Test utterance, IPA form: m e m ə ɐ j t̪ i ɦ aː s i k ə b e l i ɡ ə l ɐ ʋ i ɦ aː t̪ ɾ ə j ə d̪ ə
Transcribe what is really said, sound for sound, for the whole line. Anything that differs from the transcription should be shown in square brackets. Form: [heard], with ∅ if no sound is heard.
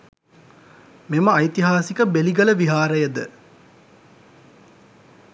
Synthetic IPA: m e m ə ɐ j t̪ i ɦ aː s i k ə b e l i ɡ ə l [ə] ʋ i ɦ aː [∅] ɾ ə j ə d̪ ə